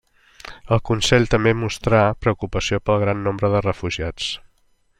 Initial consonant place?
alveolar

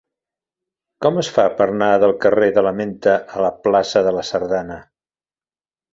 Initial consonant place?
velar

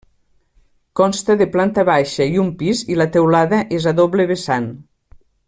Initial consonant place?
velar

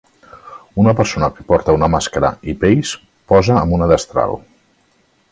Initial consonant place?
alveolar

